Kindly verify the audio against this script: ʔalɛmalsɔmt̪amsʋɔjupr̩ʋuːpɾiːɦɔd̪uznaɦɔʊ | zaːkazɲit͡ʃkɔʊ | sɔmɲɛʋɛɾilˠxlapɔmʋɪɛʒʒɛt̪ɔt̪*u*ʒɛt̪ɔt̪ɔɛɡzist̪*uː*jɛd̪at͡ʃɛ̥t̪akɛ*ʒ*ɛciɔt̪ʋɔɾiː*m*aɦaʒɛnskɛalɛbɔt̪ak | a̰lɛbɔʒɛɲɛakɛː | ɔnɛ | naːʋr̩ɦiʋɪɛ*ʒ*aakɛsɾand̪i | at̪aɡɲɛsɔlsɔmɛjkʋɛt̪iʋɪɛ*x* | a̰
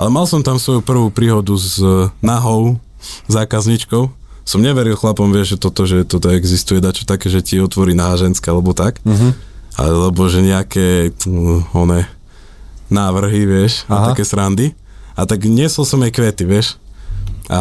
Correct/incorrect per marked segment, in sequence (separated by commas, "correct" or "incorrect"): incorrect, incorrect, correct, incorrect, incorrect, incorrect